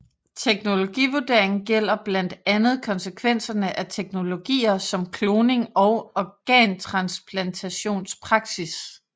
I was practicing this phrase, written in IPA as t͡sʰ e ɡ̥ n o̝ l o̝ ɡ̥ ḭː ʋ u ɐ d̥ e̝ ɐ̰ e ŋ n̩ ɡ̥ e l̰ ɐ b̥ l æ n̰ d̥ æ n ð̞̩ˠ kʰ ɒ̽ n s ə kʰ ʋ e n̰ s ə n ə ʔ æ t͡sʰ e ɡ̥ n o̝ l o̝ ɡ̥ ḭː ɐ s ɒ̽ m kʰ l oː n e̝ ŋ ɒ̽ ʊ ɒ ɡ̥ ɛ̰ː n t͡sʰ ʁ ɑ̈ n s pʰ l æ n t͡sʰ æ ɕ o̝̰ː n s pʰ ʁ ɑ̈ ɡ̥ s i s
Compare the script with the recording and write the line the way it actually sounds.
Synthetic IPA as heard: t͡sʰ e ɡ̥ n o̝ l o̝ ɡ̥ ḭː ʋ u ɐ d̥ e̝ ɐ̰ e ŋ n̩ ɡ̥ e l̰ ɐ b̥ l æ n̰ d̥ æ n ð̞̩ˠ kʰ ɒ̽ n s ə kʰ ʋ e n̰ s ɐ n ə ʔ æ t͡sʰ e ɡ̥ n o̝ l o̝ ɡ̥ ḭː ɐ s ɒ̽ m kʰ l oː n e̝ ŋ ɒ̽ ʊ ɒ ɡ̥ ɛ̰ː n t͡sʰ ʁ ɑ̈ n s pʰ l æ n t͡sʰ æ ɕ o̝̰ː n s pʰ ʁ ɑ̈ ɡ̥ s i s

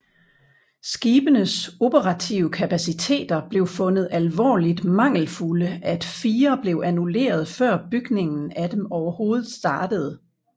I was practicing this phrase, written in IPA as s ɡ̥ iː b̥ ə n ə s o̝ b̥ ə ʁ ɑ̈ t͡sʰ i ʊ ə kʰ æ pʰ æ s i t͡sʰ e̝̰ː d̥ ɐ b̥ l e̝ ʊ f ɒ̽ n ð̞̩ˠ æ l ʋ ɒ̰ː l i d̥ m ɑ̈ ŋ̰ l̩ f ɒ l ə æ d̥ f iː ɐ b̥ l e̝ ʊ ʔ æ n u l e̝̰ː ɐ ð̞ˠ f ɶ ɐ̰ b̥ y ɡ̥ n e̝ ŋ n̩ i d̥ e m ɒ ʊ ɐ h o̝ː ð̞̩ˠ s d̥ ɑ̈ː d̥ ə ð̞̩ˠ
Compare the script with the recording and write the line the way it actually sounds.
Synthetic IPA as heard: s ɡ̥ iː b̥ ə n ə s o̝ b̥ ə ʁ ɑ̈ t͡sʰ i ʊ ə kʰ æ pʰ æ s i t͡sʰ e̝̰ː d̥ ɐ b̥ l e̝ ʊ f ɔ̽ n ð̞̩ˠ æ l ʋ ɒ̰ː l i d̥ m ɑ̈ ŋ̰ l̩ f u l ə æ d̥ f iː ɐ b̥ l e̝ ʊ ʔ æ n u l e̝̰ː ɐ ð̞ˠ f ɶ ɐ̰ b̥ y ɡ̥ n e̝ ŋ n̩ æ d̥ e m ɒ ʊ ɐ h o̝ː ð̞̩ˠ s d̥ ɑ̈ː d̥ ə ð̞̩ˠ

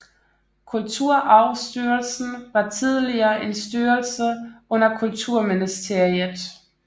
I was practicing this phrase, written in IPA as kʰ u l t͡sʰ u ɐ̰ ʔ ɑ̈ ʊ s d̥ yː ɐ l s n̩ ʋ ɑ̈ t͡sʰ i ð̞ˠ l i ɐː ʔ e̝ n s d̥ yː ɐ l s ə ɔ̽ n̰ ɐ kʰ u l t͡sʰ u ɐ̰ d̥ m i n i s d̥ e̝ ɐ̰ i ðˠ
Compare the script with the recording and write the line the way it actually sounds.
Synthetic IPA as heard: kʰ u l t͡sʰ u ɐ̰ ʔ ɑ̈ ʊ s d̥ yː ɐ l s n̩ ʋ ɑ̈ t͡sʰ i ð̞ˠ l i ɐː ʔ e̝ n s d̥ yː ɐ l s ə ɔ̽ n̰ ɐ kʰ u l t͡sʰ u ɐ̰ m i n i s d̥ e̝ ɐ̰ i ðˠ

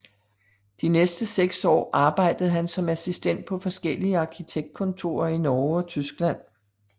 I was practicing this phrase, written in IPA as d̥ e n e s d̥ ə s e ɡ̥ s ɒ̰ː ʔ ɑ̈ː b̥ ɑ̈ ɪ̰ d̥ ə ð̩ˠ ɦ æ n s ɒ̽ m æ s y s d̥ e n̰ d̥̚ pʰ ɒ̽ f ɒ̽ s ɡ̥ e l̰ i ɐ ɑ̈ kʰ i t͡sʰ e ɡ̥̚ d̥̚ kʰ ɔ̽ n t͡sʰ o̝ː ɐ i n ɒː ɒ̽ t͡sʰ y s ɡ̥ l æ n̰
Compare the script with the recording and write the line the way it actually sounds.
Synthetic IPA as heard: d̥ i n e s d̥ ə s e ɡ̥ s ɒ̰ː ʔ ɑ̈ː b̥ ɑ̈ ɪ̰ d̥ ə ð̩ˠ ɦ æ n s ɒ̽ m æ s i s d̥ e n̰ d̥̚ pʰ ɒ̽ f ɒ̽ s ɡ̥ e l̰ i ə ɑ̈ kʰ i t͡sʰ e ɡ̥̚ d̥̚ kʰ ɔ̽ n t͡sʰ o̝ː ɐ i n ɒː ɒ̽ t͡sʰ y s ɡ̥ l æ n̰

